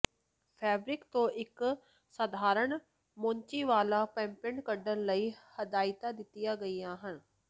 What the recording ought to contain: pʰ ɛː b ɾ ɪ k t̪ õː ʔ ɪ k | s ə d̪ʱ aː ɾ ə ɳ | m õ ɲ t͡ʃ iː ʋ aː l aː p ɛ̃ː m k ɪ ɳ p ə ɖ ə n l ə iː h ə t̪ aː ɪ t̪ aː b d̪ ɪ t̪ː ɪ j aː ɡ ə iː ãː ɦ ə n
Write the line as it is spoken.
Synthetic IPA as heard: pʰ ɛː b ɾ ɪ k t̪ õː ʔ ɪ k | s ə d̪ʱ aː ɾ ə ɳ | m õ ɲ t͡ʃ iː ʋ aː l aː p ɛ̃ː m p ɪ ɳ k ə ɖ ə n l ə iː h ə d̪ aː ɪ t̪ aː d̪ ɪ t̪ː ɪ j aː ɡ ə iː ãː ɦ ə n